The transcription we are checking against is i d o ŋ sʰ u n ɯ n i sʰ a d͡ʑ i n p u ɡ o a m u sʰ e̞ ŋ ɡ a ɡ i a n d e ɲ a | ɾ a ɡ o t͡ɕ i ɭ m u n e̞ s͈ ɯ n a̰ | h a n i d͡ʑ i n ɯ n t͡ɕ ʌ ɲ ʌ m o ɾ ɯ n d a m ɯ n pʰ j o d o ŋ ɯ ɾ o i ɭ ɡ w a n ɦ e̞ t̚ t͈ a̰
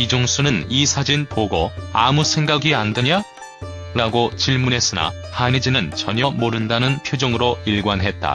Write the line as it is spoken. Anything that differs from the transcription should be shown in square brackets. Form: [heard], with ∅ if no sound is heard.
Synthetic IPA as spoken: i [d͡ʑ] o ŋ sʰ u n ɯ n i sʰ a d͡ʑ i n p [o] ɡ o a m u sʰ e̞ ŋ ɡ a ɡ i a n d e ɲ a | ɾ a ɡ o t͡ɕ i ɭ m u n e̞ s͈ ɯ n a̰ | h a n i d͡ʑ i n ɯ n t͡ɕ ʌ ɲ ʌ m o ɾ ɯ n d a [n] ɯ n pʰ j o [d͡ʑ] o ŋ ɯ ɾ o i ɭ ɡ w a n ɦ e̞ t̚ t͈ a̰